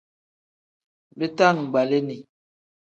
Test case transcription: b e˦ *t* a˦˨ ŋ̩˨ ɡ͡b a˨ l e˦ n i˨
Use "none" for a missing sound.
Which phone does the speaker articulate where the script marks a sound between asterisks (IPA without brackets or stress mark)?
t